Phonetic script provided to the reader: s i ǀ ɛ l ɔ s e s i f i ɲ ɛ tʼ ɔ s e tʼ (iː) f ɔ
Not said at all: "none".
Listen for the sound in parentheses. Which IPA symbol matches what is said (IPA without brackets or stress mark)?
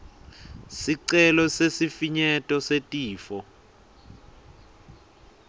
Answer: iː